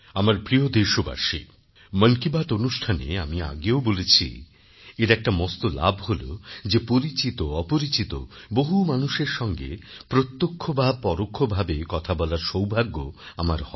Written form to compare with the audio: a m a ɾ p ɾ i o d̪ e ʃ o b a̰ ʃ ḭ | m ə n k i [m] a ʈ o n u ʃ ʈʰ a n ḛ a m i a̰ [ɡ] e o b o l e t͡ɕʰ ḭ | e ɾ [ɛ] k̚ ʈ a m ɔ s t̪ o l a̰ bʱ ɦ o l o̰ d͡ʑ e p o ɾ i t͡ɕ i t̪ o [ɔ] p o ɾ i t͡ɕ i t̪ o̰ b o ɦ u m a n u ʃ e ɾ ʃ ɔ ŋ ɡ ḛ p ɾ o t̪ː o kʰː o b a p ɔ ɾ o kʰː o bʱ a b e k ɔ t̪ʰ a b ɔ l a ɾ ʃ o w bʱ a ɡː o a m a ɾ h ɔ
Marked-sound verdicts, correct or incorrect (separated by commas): incorrect, correct, correct, correct